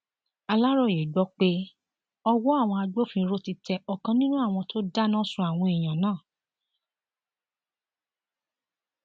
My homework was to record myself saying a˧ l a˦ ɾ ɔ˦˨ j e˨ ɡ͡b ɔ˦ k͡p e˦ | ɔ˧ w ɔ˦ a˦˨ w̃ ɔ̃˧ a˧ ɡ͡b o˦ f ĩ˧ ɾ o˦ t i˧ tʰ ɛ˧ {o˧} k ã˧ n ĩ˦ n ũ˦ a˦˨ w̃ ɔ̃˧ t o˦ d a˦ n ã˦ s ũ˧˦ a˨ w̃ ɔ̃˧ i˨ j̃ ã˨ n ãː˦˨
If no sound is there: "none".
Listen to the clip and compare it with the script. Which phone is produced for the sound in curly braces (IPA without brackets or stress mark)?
ɔ˧